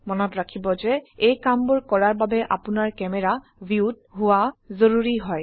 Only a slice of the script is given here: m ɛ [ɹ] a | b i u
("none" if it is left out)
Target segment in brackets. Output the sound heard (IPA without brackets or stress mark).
ɹ